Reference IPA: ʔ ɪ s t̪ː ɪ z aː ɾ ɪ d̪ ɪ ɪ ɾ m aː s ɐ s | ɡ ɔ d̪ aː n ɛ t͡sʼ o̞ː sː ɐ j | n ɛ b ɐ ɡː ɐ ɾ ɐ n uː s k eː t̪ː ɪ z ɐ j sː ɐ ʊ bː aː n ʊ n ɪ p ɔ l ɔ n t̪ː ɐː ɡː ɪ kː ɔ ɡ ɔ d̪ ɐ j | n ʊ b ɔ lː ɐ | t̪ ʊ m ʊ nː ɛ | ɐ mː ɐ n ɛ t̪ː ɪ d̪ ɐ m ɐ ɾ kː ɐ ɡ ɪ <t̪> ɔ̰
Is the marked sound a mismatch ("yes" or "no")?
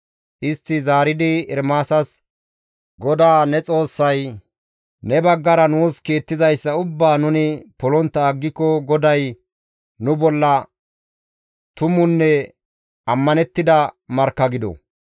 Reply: yes